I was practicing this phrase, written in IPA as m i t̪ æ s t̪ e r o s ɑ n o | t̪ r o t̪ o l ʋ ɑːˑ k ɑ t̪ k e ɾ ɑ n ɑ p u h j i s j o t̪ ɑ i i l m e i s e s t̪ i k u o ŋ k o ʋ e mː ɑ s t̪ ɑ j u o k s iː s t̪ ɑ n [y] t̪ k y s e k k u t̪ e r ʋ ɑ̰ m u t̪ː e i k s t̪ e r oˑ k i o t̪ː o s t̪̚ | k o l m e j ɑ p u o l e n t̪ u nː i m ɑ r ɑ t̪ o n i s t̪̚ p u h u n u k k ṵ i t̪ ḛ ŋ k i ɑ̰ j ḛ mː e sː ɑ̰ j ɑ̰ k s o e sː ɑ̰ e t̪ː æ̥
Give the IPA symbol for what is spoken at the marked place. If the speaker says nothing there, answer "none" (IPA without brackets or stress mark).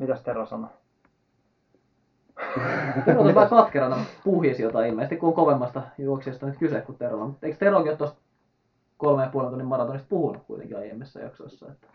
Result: y